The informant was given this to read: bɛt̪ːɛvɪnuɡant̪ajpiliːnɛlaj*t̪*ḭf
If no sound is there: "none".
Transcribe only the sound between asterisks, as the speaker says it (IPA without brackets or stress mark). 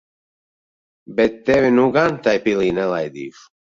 d̪